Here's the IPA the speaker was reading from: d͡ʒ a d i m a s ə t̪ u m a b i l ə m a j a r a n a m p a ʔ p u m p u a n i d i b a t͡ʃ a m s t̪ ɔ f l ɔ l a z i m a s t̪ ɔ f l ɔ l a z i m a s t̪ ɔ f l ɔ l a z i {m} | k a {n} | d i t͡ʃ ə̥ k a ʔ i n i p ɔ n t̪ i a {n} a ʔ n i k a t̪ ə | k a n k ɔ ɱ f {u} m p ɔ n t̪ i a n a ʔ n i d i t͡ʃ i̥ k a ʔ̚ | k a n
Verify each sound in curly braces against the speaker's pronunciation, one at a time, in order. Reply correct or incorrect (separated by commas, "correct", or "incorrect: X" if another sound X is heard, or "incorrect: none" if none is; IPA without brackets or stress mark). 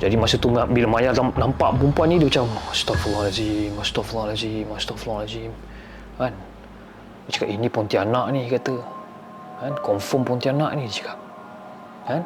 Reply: correct, correct, correct, incorrect: ɔ